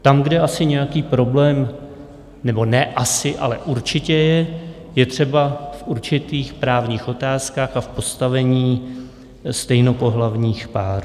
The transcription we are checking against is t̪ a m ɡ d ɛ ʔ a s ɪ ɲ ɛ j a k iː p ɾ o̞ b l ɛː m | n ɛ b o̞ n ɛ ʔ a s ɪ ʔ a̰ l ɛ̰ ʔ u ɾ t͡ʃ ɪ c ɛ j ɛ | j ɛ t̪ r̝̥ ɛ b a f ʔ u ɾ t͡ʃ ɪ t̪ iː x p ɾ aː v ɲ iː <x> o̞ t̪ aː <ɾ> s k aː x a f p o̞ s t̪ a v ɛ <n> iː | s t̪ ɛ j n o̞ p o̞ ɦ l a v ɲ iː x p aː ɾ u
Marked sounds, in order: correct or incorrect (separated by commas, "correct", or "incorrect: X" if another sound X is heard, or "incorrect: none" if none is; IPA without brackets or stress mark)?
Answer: correct, incorrect: none, incorrect: ɲ